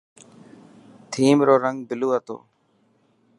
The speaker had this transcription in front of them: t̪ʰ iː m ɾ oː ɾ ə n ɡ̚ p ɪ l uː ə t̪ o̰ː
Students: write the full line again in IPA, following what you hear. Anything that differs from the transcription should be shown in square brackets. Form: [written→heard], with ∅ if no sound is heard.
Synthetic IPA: t̪ʰ iː m ɾ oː ɾ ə [n→ŋ] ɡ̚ [p→b] ɪ l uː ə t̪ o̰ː